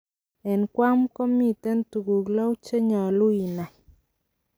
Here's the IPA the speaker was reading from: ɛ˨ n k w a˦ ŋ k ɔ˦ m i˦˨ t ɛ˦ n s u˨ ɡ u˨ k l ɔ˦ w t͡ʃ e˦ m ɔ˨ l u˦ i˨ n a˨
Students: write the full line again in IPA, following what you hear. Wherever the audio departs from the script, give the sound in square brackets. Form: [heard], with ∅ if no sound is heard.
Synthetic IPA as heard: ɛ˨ n k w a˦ [m] k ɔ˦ m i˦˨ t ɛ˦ n [t] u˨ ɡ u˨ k l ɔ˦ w t͡ʃ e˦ [ɲ] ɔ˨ l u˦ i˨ n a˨

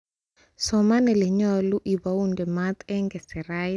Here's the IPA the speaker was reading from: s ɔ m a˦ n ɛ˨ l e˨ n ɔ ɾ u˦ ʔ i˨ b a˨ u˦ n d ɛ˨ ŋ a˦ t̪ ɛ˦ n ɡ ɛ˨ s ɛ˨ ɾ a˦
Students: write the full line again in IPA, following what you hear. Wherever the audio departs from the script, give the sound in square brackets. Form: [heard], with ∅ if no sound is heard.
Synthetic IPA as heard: s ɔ m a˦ n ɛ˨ l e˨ [ɲ] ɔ [l] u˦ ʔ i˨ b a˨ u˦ n d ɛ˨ [m] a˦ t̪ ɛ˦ [ŋ] ɡ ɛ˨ s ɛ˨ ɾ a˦

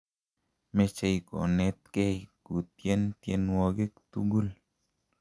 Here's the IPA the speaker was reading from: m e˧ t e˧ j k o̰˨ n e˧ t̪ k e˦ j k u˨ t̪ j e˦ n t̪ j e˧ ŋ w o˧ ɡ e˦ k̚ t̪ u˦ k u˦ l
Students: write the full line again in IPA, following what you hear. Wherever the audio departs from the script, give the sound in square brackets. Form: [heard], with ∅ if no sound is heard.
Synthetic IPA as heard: m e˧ [t͡ʃ] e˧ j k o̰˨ n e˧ t̪ k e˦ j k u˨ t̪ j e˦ n t̪ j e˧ [n] w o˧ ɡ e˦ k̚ t̪ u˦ [ɡ] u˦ l

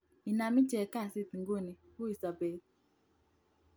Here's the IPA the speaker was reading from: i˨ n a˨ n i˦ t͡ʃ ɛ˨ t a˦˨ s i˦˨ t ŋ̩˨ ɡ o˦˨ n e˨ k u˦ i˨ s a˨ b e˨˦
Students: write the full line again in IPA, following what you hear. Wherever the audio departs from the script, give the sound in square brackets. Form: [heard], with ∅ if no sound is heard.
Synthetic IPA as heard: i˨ n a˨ [m] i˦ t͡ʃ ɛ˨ [k] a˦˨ s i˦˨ t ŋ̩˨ ɡ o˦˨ n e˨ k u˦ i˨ s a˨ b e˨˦

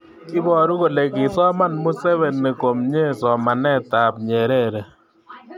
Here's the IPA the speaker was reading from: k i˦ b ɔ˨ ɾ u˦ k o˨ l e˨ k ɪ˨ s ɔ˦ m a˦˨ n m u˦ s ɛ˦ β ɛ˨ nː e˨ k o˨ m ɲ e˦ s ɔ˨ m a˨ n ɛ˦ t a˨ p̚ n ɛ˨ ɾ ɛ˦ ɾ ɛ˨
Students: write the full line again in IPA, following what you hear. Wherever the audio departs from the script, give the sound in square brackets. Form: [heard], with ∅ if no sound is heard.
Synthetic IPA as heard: k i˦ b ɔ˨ ɾ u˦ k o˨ l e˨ k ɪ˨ s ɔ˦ m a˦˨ n m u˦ s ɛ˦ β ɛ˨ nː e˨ k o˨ m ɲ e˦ s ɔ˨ m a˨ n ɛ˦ t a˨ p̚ [ɲ] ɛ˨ ɾ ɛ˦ ɾ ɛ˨

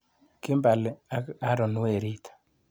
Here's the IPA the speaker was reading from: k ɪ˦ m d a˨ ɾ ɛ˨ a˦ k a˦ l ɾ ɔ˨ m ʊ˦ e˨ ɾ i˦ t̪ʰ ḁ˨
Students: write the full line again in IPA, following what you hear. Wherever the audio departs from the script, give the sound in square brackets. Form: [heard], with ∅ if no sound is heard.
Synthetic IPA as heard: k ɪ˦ m [b] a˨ [l] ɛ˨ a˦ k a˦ [∅] ɾ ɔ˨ [n] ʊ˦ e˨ ɾ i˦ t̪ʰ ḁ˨

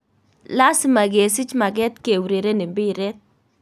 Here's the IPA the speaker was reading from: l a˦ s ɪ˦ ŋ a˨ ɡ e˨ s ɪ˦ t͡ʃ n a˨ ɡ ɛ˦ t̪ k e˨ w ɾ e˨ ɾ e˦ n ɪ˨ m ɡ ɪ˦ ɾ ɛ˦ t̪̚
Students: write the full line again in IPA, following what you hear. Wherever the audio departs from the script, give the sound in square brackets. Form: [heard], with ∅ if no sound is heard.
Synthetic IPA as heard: l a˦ s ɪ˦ [m] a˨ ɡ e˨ s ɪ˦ t͡ʃ [m] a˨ ɡ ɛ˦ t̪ k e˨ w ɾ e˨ ɾ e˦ n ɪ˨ m [b] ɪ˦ ɾ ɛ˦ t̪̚

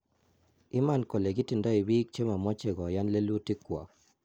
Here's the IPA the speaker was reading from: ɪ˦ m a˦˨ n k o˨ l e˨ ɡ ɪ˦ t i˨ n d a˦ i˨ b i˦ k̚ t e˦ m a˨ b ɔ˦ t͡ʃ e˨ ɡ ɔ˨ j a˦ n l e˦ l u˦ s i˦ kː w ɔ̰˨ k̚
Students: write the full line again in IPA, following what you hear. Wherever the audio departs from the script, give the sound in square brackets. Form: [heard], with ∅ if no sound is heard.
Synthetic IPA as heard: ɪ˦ m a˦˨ n k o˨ l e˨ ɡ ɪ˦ t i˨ n d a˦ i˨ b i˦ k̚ [t͡ʃ] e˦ m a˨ [m] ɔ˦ t͡ʃ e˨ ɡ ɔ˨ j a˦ n l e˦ l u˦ [t] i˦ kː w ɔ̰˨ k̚

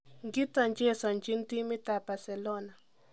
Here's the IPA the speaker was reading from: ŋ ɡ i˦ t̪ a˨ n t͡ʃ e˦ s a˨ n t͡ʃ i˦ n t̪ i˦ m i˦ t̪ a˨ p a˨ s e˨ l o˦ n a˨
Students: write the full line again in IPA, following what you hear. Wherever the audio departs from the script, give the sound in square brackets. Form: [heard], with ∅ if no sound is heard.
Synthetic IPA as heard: ŋ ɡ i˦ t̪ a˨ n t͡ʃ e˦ s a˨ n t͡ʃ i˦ n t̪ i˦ m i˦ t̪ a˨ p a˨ s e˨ l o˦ n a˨

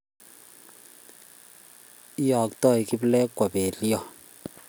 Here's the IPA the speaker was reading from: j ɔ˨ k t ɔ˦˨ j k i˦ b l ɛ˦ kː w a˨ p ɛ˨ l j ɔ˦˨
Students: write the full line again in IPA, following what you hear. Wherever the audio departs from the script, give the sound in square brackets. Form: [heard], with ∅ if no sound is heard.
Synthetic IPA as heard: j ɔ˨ k t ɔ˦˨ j k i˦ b l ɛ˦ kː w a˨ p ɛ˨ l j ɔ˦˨

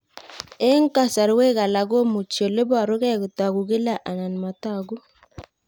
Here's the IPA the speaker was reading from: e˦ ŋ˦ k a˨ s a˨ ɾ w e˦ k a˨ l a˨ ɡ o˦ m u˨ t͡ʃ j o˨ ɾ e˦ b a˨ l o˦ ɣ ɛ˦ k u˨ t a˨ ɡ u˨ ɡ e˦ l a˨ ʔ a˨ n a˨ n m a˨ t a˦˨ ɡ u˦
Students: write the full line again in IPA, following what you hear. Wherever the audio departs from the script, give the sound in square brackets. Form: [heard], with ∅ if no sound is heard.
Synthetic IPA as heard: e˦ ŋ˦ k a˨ s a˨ ɾ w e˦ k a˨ l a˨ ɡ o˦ m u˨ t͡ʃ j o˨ [l] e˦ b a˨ [ɾ] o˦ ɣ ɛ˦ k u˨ t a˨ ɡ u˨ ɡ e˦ l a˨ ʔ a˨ n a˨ n m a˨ t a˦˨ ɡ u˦

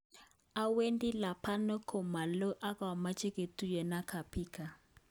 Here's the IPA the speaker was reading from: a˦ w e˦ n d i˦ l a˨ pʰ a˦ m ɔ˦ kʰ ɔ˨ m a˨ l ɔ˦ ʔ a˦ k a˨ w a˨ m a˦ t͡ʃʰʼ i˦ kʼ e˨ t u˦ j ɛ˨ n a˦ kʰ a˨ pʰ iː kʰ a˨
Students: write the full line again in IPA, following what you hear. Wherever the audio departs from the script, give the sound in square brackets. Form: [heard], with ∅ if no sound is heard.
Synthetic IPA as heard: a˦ w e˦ n d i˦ l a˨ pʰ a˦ [n] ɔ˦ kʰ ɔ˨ m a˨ l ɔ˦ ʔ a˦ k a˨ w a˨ m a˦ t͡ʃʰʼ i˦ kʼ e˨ t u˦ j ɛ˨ n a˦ kʰ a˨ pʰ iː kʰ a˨

